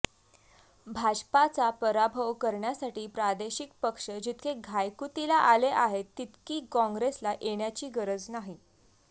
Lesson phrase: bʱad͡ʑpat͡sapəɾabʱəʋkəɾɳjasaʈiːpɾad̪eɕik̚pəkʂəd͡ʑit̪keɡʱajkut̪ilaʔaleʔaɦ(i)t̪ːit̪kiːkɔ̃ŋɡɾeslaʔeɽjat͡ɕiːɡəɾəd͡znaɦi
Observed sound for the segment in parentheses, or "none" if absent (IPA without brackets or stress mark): e